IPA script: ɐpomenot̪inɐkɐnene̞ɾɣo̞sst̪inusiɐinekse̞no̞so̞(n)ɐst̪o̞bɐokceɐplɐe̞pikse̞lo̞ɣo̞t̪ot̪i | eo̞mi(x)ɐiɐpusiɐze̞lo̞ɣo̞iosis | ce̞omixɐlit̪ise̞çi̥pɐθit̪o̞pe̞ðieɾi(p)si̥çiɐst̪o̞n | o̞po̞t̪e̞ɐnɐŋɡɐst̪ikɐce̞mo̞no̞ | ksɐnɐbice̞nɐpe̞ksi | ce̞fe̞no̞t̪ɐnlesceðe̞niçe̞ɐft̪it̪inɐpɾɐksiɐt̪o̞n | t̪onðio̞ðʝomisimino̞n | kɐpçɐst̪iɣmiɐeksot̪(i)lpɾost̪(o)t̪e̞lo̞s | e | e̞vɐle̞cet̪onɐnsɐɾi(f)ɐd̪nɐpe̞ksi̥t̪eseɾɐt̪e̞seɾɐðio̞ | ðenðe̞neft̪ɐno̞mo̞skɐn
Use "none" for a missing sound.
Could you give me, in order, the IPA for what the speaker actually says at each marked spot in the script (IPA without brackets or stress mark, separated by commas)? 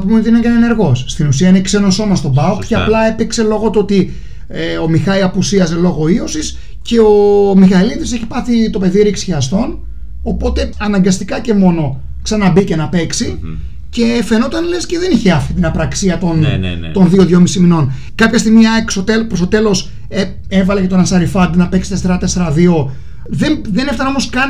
m, x, k, e, o, f